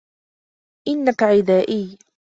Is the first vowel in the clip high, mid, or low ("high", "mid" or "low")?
high